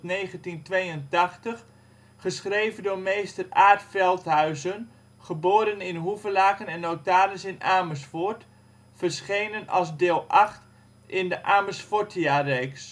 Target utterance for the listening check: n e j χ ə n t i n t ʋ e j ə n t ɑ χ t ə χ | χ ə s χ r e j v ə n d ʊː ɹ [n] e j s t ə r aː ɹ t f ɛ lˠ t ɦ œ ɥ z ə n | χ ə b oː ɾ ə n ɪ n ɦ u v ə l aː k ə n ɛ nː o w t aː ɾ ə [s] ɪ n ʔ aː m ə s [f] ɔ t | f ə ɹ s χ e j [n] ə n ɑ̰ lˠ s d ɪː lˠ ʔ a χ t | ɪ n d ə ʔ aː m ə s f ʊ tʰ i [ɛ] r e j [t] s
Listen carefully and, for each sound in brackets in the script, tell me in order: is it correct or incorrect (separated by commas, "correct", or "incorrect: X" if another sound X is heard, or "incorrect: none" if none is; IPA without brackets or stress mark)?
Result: incorrect: m, correct, correct, correct, incorrect: a, incorrect: k